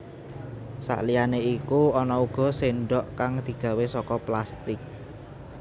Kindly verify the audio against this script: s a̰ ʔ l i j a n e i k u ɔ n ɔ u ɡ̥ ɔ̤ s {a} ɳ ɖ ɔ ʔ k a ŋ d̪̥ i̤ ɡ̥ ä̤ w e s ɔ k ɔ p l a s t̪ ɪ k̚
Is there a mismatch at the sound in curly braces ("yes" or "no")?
yes